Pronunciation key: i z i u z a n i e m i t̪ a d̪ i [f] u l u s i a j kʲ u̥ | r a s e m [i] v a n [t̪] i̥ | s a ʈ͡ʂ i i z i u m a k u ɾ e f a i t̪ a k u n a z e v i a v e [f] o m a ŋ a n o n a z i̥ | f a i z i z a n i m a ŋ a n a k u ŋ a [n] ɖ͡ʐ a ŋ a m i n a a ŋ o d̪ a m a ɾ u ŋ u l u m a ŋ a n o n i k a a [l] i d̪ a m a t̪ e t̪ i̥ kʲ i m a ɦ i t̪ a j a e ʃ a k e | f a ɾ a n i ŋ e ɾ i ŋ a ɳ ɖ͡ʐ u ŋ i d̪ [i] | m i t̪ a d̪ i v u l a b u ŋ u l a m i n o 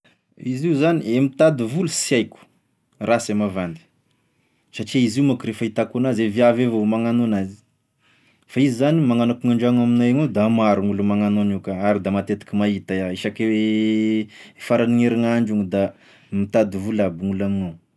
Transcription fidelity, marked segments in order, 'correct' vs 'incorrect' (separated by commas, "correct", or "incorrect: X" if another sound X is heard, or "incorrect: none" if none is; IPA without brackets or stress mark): incorrect: v, incorrect: a, incorrect: d̪, incorrect: v, incorrect: ɳ, incorrect: ɾ, incorrect: a